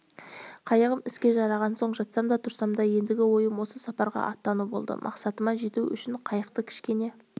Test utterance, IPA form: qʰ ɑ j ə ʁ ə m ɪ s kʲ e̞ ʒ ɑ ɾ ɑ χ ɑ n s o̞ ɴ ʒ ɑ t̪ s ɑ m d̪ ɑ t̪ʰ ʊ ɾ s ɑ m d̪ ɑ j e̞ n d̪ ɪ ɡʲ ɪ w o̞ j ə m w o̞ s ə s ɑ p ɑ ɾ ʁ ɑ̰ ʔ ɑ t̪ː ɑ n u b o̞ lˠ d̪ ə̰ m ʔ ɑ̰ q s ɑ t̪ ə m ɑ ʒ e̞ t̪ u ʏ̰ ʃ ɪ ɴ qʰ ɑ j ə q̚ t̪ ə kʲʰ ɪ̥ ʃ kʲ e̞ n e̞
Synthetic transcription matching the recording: qʰ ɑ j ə ʁ ə m ɪ s kʲ e̞ ʒ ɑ ɾ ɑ ʁ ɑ n s o̞ ɴ ʒ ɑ t̪ s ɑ m d̪ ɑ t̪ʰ ʊ ɾ s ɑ m d̪ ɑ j e̞ n d̪ ɪ ɡʲ ɪ w o̞ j ə m w o̞ s ə s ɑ p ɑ ɾ ʁ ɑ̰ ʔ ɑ t̪ː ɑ n u b o̞ lˠ d̪ ə̰ m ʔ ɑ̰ q s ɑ t̪ ə m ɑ ʒ e̞ t̪ u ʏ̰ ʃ ɪ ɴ qʰ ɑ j ə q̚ t̪ ə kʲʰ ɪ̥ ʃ kʲ e̞ n e̞